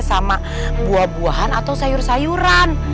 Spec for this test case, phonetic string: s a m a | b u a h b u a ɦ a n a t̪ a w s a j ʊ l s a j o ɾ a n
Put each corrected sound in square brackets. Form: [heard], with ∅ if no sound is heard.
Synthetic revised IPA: s a m a | b u a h b u a ɦ a n a t̪ a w s a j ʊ [r] s a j [u] ɾ a n